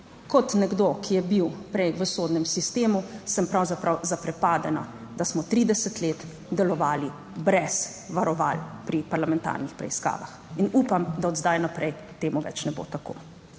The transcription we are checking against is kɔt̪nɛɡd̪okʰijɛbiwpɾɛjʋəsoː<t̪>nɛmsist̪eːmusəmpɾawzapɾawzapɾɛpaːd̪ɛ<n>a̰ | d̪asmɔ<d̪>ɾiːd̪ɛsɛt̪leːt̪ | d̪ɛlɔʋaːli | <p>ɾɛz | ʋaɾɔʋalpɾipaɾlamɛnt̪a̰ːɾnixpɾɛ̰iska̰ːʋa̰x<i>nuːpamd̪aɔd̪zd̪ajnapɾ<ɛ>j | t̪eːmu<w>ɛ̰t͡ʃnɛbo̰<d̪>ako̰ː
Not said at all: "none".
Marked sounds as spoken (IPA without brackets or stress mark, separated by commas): d̪, n, t̪, b, i, ɛ, ʋ, t̪